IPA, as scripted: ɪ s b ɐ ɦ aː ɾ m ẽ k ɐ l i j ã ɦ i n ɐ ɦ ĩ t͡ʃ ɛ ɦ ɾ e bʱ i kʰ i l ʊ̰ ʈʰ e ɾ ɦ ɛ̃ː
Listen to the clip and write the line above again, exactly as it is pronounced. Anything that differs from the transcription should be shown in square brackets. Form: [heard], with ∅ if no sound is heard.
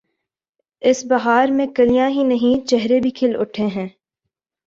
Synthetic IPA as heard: ɪ s b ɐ ɦ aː ɾ m ẽ k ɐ l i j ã ɦ i n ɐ ɦ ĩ t͡ʃ ɛ ɦ ɾ e bʱ i kʰ [ɪ] l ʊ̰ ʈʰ e [∅] ɦ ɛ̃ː